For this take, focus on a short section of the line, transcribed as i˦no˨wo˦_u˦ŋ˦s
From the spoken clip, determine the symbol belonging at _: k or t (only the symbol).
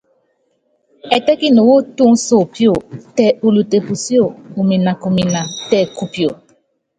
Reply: t